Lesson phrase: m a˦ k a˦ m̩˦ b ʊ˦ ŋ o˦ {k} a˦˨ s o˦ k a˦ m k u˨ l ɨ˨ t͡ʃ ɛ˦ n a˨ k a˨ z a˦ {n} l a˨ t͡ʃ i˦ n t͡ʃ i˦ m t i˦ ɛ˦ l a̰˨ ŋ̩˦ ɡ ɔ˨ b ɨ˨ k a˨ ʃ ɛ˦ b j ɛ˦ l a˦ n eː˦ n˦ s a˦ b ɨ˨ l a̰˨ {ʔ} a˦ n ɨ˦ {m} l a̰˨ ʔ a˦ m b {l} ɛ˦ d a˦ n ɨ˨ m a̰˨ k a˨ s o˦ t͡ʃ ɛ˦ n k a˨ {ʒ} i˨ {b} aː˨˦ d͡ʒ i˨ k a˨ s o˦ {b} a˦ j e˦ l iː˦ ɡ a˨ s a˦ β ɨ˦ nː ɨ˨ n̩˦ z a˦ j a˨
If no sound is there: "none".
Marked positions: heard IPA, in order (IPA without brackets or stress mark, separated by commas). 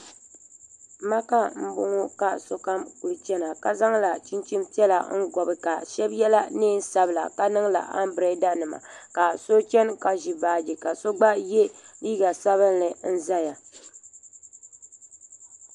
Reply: k, ŋ, k, ŋ, ɾ, ʒ, b, ɡ͡b